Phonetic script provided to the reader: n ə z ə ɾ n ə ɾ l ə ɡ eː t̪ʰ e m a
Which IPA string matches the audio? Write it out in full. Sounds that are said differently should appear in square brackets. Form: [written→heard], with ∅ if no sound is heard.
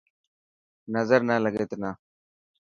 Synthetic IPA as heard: n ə z ə ɾ n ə [ɾ→∅] l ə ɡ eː [t̪ʰ→t̪] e [m→n] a